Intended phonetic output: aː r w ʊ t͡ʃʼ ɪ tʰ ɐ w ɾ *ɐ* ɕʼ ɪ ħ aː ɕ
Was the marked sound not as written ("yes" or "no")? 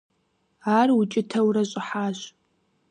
no